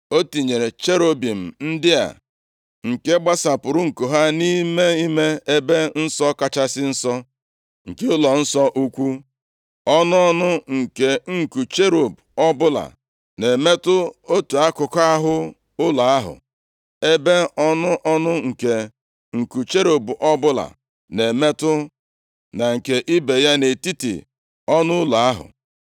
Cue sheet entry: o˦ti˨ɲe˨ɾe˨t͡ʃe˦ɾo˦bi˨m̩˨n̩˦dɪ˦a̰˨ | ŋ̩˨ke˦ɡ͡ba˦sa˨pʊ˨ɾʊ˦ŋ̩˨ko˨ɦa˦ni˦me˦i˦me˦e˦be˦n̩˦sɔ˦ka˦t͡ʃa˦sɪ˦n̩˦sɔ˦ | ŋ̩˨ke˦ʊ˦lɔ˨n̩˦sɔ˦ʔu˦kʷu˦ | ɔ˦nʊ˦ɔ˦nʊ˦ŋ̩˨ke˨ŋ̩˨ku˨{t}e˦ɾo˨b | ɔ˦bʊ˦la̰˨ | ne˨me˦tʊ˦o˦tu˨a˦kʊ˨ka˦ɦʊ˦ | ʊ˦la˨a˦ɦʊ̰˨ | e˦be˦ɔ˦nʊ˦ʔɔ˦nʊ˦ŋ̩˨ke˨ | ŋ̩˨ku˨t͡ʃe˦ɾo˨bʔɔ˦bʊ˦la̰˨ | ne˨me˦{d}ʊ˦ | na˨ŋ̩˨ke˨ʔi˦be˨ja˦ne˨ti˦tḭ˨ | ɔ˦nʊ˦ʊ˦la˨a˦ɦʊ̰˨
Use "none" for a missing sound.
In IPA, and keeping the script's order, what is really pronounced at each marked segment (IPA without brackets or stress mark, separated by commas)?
t͡ʃ, t